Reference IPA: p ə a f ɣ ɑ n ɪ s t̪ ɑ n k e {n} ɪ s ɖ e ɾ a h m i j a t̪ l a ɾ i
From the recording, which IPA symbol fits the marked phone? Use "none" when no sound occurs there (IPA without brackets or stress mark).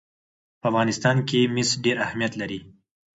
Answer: m